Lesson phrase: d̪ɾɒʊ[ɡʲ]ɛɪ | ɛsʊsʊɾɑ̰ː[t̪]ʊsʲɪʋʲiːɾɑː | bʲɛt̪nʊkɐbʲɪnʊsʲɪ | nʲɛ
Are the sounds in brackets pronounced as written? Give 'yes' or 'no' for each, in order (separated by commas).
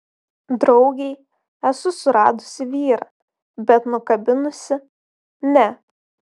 yes, no